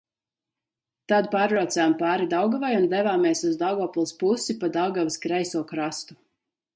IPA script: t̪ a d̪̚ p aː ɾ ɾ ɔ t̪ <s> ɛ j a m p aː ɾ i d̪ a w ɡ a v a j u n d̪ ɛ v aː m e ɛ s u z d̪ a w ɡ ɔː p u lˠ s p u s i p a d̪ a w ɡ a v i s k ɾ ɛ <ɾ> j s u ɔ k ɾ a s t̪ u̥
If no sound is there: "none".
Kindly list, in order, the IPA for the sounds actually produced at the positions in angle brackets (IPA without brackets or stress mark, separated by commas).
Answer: s, none